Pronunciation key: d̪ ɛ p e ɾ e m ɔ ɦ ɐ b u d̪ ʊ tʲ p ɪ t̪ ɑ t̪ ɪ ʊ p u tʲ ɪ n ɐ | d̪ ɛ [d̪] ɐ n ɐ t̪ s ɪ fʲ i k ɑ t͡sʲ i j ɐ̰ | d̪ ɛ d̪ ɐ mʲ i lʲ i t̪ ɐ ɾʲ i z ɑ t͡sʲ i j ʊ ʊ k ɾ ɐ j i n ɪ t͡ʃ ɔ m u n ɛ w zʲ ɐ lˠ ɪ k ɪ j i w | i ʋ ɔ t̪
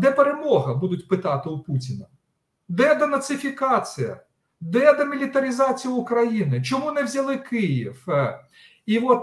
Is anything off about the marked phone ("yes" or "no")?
no